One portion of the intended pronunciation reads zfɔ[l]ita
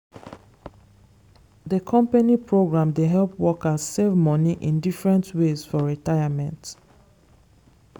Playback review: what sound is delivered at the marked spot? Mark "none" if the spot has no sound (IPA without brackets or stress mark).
ɹ